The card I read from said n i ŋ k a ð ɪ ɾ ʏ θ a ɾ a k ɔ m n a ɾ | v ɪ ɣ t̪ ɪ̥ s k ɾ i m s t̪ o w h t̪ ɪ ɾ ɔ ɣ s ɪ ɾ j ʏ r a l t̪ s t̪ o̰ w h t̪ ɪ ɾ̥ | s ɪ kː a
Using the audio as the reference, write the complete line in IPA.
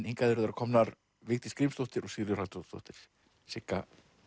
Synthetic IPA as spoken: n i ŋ k a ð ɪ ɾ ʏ ð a ɾ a kʰ ɔ m n a ɾ | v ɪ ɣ t̪ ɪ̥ s k ɾ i m s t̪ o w h t̪ ɪ ɾ ɔ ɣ s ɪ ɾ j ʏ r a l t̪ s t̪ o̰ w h t̪ ɪ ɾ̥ | s ɪ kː a